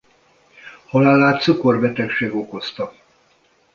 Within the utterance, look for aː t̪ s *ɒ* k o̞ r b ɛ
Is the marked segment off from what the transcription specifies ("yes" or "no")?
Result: yes